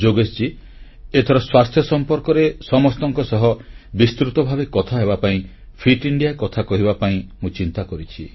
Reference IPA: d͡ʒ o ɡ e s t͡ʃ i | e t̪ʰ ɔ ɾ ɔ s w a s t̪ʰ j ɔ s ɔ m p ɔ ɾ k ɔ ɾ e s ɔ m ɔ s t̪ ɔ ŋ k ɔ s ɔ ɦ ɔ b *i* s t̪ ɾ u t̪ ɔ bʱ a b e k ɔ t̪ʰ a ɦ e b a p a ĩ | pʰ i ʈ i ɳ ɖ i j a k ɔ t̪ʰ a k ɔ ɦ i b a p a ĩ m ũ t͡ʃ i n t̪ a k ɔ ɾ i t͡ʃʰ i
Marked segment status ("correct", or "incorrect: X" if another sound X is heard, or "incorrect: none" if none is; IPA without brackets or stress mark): correct